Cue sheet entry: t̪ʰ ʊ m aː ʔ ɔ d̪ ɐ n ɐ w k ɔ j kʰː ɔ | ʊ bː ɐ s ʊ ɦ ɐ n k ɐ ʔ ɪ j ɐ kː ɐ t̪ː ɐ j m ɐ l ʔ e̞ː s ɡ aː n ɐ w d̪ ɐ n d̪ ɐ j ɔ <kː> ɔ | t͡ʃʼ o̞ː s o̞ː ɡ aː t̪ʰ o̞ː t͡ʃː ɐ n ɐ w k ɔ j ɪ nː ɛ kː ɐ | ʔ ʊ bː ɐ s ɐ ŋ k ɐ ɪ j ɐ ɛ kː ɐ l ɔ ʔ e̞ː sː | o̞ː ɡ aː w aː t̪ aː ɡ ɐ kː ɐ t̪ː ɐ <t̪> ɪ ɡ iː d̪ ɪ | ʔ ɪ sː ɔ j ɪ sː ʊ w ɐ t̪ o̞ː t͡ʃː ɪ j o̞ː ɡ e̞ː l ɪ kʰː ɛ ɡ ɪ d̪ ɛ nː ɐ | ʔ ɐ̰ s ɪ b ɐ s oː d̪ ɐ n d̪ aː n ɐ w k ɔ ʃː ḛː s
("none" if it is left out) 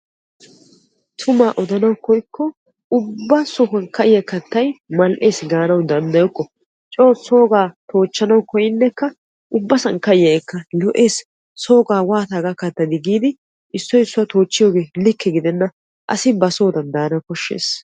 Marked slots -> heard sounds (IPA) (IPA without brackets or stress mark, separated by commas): kː, d̪